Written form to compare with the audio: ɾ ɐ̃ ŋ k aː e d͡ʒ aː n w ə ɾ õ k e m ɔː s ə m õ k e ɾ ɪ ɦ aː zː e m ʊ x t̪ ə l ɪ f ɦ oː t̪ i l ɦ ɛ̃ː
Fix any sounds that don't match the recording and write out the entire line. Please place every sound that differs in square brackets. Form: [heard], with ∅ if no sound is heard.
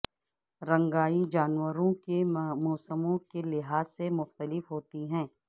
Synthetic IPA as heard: ɾ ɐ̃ ŋ [ɡ] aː [i] d͡ʒ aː n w ə ɾ õ k e m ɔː s ə m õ k e [l] ɪ ɦ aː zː e m ʊ x t̪ ə l ɪ f ɦ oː t̪ i [∅] ɦ ɛ̃ː